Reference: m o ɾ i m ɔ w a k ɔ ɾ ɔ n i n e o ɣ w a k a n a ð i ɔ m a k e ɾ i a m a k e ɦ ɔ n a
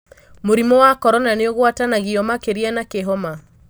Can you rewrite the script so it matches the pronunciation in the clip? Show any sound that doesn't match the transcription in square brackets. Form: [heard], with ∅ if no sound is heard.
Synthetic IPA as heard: m o ɾ i m ɔ w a k ɔ ɾ ɔ n [a] n e o ɣ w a [t] a n a [ɣ] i ɔ m a k e ɾ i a [n] a k e ɦ ɔ [m] a